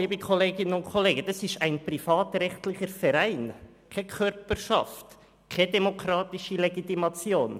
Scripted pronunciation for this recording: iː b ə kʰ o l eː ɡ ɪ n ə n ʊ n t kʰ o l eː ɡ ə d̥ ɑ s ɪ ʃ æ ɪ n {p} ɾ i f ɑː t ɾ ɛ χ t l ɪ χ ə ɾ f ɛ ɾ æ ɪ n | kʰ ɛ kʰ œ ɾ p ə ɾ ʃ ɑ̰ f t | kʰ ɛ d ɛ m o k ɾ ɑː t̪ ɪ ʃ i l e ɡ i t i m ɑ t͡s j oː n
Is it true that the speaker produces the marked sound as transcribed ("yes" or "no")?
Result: yes